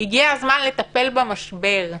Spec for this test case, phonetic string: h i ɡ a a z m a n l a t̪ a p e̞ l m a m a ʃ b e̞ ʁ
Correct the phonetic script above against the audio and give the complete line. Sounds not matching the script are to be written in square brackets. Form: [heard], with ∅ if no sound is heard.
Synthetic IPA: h i ɡ [i] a z m a n l [e] t̪ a p e̞ l [b] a m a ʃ b e̞ ʁ